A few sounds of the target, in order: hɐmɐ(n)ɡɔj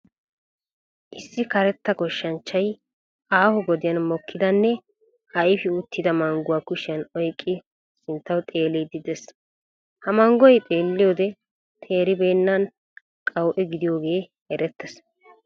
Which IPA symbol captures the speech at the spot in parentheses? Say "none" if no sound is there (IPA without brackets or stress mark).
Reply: ŋ